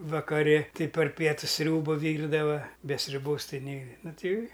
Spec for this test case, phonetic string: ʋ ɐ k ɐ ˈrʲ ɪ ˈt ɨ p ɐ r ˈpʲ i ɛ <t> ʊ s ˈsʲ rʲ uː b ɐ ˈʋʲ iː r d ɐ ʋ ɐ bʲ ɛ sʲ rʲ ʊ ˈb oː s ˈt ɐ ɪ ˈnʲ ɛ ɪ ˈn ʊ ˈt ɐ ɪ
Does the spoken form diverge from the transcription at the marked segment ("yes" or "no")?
no